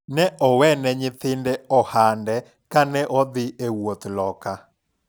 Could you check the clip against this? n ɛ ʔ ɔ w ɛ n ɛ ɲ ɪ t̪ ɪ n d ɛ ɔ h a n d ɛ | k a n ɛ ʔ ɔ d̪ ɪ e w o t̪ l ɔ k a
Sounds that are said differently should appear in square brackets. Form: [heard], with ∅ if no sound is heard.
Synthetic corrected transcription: n ɛ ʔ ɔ w ɛ n ɛ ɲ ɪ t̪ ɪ n d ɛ ɔ h a n d ɛ | k a n ɛ ʔ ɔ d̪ ɪ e w o t̪ l ɔ k a